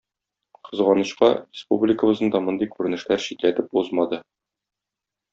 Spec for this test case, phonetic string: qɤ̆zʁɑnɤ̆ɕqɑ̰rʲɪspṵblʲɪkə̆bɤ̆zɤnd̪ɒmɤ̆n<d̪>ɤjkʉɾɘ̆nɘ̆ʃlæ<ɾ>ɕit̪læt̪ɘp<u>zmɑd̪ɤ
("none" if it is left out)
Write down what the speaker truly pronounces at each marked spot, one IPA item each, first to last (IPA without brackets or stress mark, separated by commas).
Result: d̪, ɾ, u